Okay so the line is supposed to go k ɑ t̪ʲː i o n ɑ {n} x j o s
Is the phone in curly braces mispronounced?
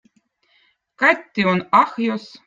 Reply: yes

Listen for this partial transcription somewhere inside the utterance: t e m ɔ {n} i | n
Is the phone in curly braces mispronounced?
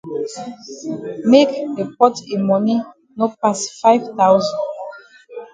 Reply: no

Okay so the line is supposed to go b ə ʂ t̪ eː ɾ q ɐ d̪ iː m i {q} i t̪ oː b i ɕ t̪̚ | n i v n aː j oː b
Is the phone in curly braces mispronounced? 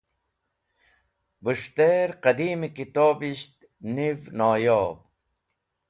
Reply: yes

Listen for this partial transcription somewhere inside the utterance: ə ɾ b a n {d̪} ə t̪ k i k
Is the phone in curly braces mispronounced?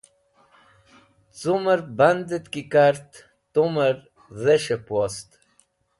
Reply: no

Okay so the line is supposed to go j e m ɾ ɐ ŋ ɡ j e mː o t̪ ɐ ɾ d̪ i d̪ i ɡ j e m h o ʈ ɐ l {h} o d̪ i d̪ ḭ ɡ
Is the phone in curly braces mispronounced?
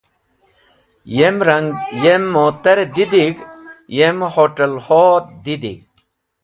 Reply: no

